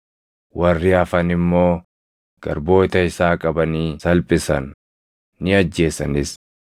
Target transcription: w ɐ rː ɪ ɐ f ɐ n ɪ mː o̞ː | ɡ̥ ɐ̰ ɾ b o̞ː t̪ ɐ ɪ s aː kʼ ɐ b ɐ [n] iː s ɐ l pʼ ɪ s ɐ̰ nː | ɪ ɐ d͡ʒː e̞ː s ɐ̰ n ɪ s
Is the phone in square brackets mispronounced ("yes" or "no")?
no